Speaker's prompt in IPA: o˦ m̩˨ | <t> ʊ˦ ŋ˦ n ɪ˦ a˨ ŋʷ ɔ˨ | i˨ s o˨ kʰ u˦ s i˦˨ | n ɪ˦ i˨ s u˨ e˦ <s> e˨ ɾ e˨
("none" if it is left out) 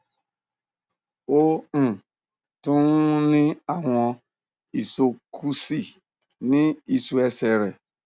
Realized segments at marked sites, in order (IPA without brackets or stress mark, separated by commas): t, s